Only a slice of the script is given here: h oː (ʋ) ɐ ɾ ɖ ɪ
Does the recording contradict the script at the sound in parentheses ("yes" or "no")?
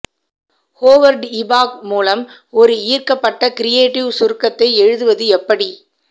no